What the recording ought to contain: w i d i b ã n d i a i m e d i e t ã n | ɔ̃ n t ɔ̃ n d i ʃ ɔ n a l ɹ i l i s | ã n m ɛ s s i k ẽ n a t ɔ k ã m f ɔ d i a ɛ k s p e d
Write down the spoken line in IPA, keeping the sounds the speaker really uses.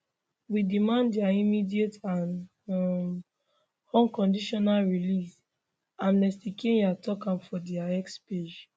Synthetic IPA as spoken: w i d i m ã n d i a i m i d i e t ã n | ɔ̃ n k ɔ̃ n d i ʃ ɔ n a l ɹ i l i s | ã n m ɛ s t i k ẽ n a t ɔ k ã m f ɔ d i a ɛ k s p e d͡ʒ